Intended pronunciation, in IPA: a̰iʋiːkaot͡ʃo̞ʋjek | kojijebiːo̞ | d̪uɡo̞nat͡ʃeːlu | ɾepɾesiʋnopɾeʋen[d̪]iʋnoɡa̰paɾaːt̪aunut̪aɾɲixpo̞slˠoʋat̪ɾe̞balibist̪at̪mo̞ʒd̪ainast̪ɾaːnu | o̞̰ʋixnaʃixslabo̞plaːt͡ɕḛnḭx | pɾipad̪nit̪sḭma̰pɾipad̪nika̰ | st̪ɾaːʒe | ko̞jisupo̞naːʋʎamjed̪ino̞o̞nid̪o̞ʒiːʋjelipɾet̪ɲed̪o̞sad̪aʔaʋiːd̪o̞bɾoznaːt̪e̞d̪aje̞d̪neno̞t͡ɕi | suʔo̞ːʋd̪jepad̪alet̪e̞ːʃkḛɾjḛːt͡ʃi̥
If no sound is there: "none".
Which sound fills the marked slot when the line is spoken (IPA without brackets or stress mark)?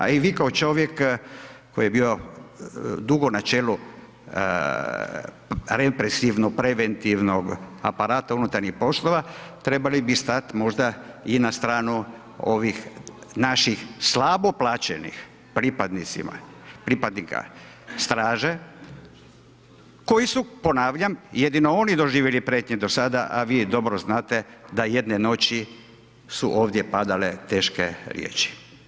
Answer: t̪